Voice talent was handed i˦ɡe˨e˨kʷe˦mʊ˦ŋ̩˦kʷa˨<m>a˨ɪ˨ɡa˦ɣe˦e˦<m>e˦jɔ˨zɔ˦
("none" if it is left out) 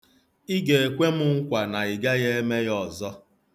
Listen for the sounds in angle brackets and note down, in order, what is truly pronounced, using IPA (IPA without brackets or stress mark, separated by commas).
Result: n, m